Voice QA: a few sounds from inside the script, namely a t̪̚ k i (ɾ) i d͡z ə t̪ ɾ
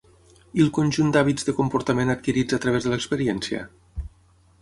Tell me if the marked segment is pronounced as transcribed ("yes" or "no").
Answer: yes